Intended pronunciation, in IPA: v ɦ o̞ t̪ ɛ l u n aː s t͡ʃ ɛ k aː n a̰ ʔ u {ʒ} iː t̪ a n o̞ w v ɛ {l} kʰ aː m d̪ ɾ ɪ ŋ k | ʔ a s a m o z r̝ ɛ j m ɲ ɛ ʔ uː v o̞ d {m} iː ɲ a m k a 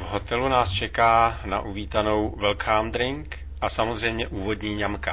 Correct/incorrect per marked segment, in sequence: incorrect: v, correct, incorrect: ɲ

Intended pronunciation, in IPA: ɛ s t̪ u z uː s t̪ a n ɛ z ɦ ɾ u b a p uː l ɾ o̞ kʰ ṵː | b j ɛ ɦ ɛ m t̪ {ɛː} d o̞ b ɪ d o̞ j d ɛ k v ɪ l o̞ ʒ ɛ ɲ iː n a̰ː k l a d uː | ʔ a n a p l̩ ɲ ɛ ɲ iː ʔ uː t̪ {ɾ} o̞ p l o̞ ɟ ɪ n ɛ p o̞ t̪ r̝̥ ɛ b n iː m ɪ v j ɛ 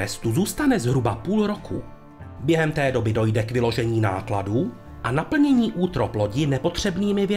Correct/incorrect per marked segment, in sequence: correct, correct

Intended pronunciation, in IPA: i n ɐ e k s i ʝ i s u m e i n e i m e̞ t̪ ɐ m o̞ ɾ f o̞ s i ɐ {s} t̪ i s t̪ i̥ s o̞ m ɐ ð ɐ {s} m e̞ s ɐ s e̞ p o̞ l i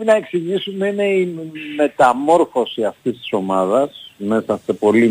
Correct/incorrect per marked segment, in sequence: incorrect: f, correct

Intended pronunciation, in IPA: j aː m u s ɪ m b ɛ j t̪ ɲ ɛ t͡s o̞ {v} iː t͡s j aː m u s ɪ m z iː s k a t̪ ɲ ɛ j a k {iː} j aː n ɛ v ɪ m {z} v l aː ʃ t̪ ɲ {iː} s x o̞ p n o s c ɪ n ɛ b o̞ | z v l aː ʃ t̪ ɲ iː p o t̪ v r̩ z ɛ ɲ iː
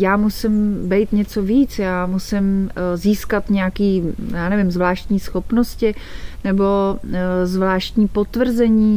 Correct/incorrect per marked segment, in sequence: correct, correct, correct, correct

